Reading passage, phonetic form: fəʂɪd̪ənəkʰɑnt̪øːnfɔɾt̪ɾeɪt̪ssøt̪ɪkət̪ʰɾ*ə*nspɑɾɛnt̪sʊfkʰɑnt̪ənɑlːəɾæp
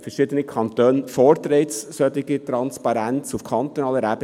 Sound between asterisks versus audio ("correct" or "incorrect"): incorrect